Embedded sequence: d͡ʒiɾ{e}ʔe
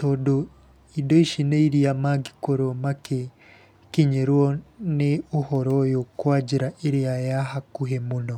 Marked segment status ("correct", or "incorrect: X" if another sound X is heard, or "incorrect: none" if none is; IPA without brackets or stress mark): incorrect: a